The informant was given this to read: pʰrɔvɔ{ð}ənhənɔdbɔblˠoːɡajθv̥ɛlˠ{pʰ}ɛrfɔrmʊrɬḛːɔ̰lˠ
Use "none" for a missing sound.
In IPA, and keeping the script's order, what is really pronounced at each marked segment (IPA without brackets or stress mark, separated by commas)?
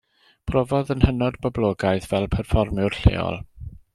ð, pʰ